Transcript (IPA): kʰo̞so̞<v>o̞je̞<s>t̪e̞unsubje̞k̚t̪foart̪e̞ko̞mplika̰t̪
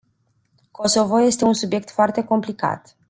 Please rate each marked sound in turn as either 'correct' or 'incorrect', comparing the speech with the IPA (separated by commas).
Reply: correct, correct